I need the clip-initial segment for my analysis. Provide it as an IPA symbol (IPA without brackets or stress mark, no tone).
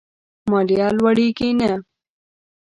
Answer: m